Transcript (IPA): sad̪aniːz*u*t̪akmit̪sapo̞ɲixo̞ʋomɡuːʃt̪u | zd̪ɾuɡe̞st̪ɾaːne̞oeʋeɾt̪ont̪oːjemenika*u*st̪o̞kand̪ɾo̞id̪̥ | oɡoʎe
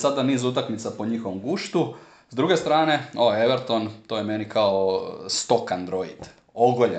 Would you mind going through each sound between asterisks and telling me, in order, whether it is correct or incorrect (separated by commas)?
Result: correct, incorrect